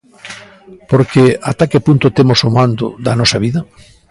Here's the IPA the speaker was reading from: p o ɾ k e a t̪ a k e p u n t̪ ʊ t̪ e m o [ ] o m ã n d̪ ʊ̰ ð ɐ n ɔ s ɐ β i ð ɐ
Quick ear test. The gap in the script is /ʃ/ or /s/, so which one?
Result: s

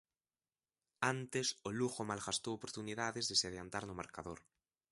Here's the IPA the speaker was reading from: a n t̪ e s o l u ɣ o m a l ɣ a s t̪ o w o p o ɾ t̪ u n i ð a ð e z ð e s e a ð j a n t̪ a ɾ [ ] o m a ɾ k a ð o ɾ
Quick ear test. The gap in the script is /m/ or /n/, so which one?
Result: n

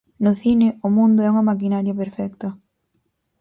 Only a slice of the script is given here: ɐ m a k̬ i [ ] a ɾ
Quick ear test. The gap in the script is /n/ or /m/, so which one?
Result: n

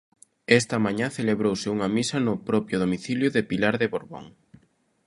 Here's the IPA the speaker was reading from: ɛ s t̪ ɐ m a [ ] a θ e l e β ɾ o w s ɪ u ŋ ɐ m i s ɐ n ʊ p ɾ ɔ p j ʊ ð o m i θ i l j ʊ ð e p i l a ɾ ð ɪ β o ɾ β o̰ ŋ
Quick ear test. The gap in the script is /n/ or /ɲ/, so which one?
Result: ɲ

